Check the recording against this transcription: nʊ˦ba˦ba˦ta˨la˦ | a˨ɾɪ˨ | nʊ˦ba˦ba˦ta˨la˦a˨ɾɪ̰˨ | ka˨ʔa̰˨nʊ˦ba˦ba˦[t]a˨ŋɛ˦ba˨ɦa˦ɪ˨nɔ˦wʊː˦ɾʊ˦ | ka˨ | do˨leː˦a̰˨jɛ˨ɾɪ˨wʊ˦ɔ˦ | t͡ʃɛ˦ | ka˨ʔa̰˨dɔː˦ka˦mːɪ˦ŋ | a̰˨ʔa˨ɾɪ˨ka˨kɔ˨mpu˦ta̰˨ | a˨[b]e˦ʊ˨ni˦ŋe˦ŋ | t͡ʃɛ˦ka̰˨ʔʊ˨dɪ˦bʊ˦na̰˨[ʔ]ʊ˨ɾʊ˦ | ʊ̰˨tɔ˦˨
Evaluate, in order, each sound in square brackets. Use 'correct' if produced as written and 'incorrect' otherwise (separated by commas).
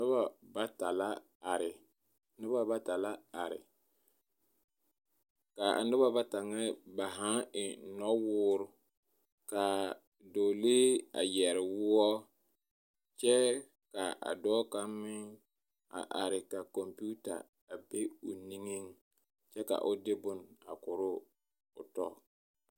correct, correct, incorrect